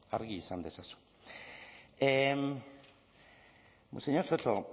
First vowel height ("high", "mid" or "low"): low